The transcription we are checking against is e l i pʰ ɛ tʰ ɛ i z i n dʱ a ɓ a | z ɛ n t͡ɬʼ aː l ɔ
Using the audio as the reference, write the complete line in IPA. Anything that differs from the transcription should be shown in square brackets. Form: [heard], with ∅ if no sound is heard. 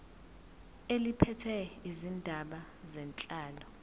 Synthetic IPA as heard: e l i pʰ ɛ tʰ ɛ i z i n dʱ a ɓ a | z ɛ n t͡ɬʼ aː l ɔ

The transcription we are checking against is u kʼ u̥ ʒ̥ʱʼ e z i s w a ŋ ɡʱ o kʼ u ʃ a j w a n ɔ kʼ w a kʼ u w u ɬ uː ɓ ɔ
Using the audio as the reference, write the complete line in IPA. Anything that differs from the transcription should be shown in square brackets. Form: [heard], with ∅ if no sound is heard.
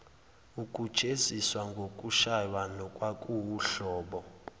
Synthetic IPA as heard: u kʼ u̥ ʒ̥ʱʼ e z i s w a ŋ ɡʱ o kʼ u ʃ a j w a n ɔ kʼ w a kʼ u w u ɬ [ɔː] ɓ ɔ

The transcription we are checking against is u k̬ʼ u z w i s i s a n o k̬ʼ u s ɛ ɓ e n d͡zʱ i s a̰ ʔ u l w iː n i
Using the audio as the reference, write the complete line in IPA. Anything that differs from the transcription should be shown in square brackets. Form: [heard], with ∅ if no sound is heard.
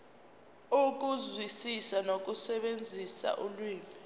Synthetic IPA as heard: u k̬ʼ u z w i s i s a n o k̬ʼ u s ɛ ɓ e n d͡zʱ i s a̰ ʔ u l w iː [m] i

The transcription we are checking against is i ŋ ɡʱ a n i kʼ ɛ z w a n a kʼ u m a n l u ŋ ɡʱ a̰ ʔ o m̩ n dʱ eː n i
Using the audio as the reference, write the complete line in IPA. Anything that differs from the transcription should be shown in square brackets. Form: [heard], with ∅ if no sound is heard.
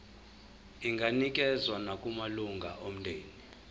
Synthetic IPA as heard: i ŋ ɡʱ a n i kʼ ɛ z w a n a kʼ u m a [∅] l u ŋ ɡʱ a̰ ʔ o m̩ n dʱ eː n i

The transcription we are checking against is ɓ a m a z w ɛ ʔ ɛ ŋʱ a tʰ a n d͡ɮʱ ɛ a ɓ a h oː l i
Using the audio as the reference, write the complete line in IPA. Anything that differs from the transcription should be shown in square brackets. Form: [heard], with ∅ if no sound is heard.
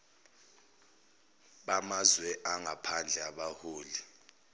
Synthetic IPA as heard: ɓ a m a z w ɛ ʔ [a] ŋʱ a [pʰ] a n d͡ɮʱ ɛ a ɓ a h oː l i

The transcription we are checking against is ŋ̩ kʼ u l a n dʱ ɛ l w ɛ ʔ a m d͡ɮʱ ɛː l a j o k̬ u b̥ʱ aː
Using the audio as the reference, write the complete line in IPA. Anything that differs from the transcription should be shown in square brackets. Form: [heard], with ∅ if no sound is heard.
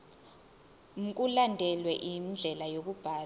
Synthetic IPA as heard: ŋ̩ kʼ u l a n dʱ ɛ l w ɛ ʔ [i] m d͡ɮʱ [ɛ] l a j o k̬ u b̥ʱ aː

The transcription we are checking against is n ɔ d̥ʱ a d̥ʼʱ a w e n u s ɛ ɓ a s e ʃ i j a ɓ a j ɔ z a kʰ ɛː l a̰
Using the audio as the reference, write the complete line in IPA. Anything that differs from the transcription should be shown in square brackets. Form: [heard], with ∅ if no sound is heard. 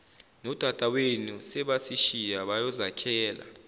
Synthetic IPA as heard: n ɔ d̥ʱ a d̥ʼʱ a w e n u s ɛ ɓ a s [i] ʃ i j a ɓ a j ɔ z a kʰ ɛː l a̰

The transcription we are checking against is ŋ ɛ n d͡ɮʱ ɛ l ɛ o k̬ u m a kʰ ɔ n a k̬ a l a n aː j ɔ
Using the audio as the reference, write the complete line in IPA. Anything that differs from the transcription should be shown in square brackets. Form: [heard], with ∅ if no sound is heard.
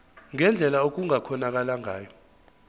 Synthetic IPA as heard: ŋ ɛ n d͡ɮʱ ɛ l [a] o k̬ u [ŋ] a kʰ ɔ n a k̬ a l a [ŋ] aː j ɔ

